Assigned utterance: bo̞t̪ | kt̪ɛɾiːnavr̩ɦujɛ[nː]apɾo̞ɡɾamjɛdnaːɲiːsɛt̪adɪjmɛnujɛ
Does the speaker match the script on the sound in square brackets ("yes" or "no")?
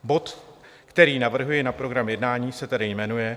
no